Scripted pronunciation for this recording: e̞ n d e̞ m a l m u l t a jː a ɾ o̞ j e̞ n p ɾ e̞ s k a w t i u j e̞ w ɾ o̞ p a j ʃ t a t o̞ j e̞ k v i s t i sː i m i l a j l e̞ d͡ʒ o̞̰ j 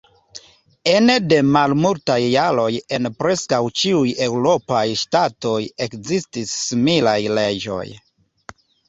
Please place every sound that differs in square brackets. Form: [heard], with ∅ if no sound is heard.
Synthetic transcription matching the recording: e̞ n d e̞ m a l m u l t a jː a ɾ o̞ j e̞ n p ɾ e̞ s k a w [t͡ʃ] i u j e̞ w ɾ o̞ p a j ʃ t a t o̞ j e̞ k [z] i s t i sː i m i l a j l e̞ d͡ʒ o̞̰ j